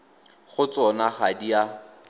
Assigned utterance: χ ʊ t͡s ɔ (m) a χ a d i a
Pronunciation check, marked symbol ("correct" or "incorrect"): incorrect